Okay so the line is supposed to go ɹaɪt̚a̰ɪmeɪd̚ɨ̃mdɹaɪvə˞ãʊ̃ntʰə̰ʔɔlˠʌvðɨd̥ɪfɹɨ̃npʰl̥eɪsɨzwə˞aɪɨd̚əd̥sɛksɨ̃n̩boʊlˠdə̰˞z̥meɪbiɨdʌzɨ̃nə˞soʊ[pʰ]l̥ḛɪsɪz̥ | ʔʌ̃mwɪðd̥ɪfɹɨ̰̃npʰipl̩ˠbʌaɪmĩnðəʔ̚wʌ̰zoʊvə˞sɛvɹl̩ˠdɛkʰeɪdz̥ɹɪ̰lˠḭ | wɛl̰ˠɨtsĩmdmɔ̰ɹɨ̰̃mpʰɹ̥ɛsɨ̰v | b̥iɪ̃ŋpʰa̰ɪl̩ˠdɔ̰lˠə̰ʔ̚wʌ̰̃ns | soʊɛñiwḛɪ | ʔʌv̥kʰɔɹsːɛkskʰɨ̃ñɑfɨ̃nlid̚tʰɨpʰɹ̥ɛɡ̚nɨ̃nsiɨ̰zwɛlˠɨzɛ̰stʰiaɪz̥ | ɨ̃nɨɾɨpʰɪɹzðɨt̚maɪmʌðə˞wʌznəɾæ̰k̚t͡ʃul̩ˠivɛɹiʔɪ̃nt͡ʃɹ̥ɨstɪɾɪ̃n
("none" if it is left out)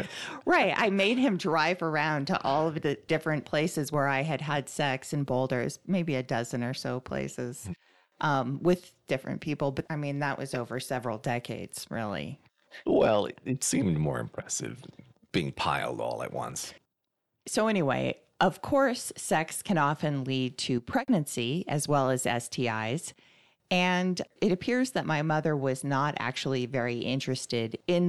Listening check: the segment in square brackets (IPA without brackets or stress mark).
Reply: pʰ